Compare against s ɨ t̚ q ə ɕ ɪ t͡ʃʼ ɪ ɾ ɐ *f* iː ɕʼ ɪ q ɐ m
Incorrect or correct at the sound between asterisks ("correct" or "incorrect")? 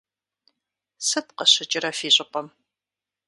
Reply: correct